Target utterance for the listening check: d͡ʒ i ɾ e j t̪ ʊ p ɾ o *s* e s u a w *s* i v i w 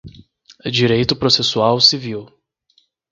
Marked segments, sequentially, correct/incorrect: correct, correct

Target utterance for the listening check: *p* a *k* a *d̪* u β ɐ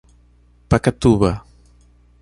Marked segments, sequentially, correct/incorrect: correct, correct, incorrect: t̪

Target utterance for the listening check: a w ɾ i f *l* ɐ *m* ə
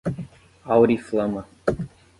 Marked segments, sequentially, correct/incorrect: correct, correct

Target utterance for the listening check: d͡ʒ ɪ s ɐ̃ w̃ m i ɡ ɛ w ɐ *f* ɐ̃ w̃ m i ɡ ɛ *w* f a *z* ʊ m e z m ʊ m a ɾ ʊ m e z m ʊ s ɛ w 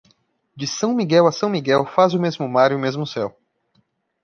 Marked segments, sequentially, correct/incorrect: incorrect: s, correct, correct

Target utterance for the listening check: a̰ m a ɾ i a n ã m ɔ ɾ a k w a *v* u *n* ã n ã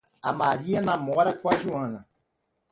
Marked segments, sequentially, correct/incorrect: incorrect: ʒ, incorrect: none

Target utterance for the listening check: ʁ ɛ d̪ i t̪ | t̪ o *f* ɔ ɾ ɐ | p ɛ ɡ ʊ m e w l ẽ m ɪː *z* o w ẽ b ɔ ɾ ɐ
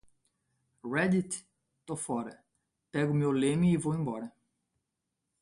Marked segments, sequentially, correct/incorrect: correct, incorrect: v

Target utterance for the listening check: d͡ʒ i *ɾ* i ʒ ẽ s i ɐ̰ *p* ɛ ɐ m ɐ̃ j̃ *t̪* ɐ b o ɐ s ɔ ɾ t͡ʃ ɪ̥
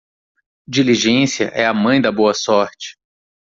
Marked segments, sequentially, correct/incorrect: incorrect: l, incorrect: ʔ, incorrect: d̪

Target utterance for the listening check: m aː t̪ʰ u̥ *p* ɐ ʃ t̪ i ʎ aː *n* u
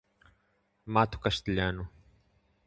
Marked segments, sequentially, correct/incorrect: incorrect: k, correct

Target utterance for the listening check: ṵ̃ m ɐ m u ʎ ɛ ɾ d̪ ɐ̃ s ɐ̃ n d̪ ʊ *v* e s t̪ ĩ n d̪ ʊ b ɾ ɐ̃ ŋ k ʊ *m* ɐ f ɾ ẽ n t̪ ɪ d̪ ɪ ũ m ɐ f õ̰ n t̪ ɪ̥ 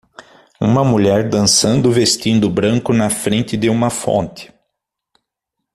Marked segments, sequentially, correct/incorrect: correct, incorrect: n

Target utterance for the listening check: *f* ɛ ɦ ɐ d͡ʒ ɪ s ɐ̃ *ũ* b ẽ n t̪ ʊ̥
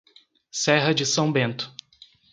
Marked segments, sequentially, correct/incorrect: incorrect: s, incorrect: w̃

